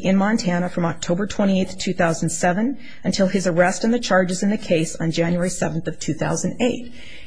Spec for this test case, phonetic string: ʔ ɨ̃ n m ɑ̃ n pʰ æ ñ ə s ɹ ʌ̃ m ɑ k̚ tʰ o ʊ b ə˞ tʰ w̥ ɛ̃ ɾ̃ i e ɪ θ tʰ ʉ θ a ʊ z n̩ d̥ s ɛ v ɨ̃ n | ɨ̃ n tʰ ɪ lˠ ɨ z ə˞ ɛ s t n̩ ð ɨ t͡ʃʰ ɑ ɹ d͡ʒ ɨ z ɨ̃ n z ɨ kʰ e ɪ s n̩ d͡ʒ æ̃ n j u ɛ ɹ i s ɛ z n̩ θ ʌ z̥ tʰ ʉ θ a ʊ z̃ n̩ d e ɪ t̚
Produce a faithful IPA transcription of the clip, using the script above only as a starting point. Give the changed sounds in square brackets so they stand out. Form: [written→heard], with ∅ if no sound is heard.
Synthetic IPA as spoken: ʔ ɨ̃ n m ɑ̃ n [pʰ→tʰ] æ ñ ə [s→f] ɹ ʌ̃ m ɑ k̚ tʰ o ʊ b ə˞ tʰ w̥ ɛ̃ ɾ̃ i e ɪ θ tʰ ʉ θ a ʊ z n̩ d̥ s ɛ v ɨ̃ n | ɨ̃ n tʰ ɪ lˠ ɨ z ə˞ ɛ s t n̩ ð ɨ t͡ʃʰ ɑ ɹ d͡ʒ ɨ z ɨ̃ n [z→ð] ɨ kʰ e ɪ s n̩ d͡ʒ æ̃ n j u ɛ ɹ i s ɛ [z→v] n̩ θ ʌ [z̥→v̥] tʰ ʉ θ a ʊ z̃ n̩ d e ɪ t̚

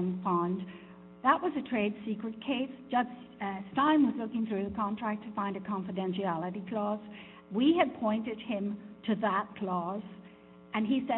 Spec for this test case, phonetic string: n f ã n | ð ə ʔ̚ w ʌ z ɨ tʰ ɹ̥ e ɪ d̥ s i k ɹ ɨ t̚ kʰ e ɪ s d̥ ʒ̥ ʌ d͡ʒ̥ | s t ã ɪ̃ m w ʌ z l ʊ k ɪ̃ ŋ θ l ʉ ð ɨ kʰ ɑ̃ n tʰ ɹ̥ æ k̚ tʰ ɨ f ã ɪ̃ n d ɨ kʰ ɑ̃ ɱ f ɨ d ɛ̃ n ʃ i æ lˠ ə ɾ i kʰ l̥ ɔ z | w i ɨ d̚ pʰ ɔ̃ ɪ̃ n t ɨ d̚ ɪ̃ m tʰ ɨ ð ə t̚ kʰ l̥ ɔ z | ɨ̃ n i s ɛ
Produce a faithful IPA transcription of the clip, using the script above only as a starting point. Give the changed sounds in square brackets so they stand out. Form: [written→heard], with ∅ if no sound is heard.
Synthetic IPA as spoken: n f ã n | ð ə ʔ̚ w ʌ z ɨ tʰ ɹ̥ e ɪ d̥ s i k ɹ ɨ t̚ kʰ e ɪ s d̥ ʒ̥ ʌ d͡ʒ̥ | s t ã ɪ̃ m w ʌ z l ʊ k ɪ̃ ŋ θ [l→ɹ] ʉ ð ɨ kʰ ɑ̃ n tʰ ɹ̥ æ k̚ tʰ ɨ f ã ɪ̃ n d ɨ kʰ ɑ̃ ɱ f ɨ d ɛ̃ n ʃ i æ lˠ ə ɾ i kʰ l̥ ɔ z | w i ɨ d̚ pʰ ɔ̃ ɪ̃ n t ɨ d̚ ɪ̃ m tʰ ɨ ð ə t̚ kʰ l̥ ɔ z | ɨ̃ n i s ɛ

